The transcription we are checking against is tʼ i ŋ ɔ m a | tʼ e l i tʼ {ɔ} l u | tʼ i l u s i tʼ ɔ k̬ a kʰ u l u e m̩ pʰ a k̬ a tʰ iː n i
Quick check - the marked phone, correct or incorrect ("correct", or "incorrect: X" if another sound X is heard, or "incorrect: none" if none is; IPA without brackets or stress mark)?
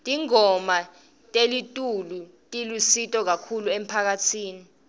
incorrect: u